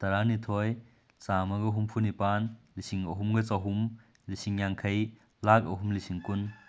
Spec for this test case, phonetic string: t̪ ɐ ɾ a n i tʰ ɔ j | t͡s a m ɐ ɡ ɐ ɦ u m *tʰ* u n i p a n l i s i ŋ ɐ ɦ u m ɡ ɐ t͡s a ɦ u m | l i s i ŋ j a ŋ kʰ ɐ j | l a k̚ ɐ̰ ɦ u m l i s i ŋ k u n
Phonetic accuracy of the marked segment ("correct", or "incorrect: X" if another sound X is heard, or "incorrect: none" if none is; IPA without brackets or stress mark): incorrect: pʰ